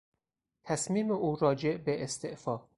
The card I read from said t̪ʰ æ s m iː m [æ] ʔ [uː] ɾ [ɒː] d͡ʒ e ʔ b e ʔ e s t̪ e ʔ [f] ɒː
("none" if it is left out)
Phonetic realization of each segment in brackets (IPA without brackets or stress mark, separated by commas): e, uː, ɒː, f